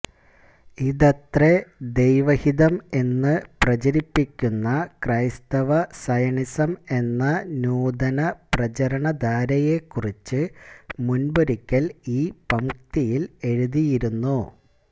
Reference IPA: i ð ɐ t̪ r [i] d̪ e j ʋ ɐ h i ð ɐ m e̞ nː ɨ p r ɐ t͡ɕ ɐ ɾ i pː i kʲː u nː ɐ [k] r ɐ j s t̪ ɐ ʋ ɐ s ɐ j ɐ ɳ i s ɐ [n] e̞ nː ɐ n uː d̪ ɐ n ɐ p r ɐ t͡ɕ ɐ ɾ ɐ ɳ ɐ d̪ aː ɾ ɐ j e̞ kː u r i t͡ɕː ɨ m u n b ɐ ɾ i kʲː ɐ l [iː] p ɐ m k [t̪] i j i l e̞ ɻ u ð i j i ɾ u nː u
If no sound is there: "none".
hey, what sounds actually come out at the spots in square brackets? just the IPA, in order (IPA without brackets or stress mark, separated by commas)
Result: e, k, m, iː, t̪